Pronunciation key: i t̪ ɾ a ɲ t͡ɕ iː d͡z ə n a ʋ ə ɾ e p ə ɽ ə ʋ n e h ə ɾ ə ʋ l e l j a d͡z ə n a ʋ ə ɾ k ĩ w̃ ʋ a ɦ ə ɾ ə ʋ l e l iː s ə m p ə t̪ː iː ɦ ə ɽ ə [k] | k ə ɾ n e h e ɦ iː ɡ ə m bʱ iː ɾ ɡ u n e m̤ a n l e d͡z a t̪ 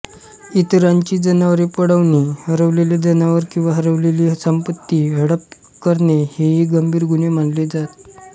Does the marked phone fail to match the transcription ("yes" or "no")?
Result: yes